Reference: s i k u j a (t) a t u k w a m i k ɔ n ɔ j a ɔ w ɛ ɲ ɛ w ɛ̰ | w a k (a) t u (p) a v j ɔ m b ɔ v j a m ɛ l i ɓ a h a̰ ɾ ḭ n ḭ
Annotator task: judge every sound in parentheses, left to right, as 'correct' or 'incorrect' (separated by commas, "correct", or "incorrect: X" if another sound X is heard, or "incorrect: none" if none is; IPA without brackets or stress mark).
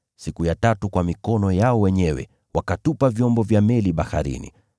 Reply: correct, correct, correct